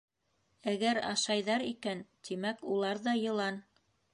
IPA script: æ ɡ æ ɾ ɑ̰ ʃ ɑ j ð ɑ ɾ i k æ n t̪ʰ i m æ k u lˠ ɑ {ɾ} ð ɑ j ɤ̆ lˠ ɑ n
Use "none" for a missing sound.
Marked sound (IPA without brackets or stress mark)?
ɾ